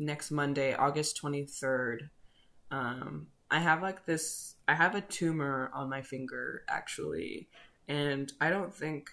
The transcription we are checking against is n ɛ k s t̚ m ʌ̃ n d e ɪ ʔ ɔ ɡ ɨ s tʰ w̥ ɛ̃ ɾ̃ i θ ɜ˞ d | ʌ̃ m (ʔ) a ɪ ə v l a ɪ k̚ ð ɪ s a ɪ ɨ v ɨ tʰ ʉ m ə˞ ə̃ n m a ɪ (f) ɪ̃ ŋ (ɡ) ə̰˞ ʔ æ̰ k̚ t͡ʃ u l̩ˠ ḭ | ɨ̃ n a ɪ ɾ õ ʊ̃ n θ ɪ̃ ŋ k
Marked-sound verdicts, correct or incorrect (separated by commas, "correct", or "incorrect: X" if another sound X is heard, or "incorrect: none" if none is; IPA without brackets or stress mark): correct, correct, correct